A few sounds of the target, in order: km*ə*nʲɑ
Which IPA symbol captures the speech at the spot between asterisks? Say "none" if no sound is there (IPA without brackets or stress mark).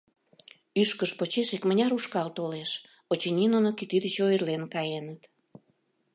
ə